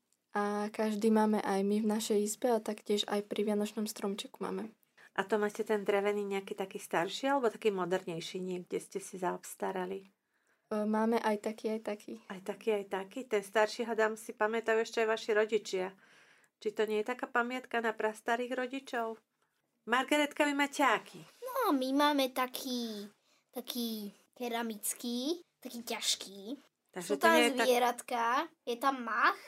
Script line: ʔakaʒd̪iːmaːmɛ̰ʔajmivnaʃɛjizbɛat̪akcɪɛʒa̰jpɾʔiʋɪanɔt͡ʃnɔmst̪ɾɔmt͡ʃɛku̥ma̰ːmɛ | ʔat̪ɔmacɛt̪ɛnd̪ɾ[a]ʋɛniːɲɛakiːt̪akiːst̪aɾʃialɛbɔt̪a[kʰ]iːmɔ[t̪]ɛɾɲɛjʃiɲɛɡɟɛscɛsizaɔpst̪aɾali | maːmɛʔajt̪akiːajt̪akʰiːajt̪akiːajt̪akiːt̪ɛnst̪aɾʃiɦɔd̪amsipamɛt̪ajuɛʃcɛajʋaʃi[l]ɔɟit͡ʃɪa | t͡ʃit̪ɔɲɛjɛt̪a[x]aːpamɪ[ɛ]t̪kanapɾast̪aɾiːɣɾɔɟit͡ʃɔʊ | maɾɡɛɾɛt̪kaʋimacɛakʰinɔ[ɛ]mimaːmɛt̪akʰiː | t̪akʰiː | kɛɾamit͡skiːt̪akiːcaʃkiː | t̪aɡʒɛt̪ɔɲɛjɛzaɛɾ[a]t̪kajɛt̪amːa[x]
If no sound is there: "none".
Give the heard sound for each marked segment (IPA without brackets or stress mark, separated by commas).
ɛ, k, d̪, ɾ, k, a, a, a, x